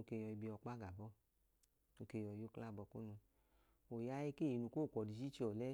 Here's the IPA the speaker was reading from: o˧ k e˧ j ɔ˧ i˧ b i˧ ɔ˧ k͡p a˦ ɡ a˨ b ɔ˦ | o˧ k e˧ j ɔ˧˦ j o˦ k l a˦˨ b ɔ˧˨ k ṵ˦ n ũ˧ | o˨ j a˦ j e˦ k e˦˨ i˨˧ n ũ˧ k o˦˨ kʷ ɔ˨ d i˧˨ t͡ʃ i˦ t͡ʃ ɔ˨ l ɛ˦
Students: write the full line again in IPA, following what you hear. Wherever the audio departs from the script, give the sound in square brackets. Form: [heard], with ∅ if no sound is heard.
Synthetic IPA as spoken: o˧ k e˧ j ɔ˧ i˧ b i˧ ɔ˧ k͡p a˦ ɡ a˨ b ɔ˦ | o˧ k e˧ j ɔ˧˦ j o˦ k l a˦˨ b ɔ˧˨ k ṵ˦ n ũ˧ | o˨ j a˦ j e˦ k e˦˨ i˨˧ n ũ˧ k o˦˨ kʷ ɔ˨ d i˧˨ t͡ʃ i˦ t͡ʃ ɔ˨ l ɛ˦